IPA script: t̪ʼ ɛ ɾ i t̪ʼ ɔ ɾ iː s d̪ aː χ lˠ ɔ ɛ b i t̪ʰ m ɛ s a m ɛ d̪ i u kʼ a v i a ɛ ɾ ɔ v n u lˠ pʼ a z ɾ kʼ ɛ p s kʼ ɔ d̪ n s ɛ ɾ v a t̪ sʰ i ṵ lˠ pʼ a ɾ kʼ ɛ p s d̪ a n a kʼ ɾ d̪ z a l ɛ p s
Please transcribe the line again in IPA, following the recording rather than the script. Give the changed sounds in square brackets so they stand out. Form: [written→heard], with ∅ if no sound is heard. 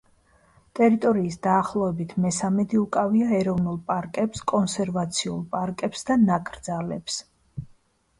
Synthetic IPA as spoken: t̪ʼ ɛ ɾ i t̪ʼ ɔ ɾ iː s d̪ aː χ lˠ ɔ ɛ b i t̪ʰ m ɛ s a m ɛ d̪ i u kʼ a v i a ɛ ɾ ɔ v n u lˠ pʼ a [z→∅] ɾ kʼ ɛ p s kʼ ɔ [d̪→∅] n s ɛ ɾ v a t̪ sʰ i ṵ lˠ pʼ a ɾ kʼ ɛ p s d̪ a n a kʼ ɾ d̪ z a l ɛ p s